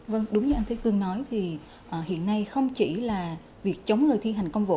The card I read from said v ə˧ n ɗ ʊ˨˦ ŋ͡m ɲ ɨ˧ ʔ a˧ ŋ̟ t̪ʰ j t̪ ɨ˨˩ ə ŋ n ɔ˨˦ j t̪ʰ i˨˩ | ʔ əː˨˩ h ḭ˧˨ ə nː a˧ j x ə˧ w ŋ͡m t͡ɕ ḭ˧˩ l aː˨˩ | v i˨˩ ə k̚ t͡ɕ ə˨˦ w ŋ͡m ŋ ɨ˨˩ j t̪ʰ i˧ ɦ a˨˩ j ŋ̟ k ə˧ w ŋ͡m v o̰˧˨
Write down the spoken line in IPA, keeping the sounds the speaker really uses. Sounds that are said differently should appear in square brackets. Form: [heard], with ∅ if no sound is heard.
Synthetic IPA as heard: v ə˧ [ŋ] ɗ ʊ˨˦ ŋ͡m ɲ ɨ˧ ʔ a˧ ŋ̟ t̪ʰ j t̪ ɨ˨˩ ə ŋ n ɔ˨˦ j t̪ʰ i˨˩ | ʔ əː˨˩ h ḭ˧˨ ə nː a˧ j x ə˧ w ŋ͡m t͡ɕ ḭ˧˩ l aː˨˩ | v i˨˩ ə k̚ t͡ɕ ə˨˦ w ŋ͡m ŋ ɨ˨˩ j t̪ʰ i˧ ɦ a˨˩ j ŋ̟ k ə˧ w ŋ͡m v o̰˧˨